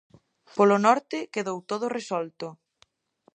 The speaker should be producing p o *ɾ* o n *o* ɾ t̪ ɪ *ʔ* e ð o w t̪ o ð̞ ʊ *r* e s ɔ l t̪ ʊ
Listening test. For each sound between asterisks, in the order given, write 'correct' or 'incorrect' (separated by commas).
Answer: incorrect, incorrect, incorrect, correct